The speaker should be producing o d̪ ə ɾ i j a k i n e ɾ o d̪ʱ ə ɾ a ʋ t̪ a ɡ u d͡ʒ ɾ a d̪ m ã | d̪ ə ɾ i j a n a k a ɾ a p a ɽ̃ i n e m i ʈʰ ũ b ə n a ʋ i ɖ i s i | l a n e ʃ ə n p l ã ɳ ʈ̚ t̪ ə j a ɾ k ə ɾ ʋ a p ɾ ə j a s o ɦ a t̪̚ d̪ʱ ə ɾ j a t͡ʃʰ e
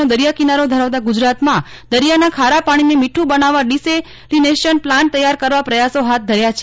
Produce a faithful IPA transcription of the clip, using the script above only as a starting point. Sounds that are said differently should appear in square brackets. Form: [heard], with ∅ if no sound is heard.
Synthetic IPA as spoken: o d̪ ə ɾ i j a k i n [a] ɾ o d̪ʱ ə ɾ a ʋ t̪ a ɡ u d͡ʒ ɾ a [t̪] m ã | d̪ ə ɾ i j a n a [kʰ] a ɾ a p a ɽ̃ i n e m i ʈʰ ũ b ə n a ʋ [a] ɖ i s [e] | l [i] n e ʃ ə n p l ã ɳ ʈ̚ t̪ ə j a ɾ k ə ɾ ʋ a p ɾ ə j a s o ɦ a t̪̚ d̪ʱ ə ɾ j a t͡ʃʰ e